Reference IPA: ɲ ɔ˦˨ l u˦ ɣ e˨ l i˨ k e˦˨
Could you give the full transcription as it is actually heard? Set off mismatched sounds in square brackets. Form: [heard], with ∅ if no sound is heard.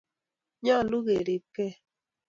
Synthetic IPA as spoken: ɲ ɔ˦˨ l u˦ ɣ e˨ [ɾ] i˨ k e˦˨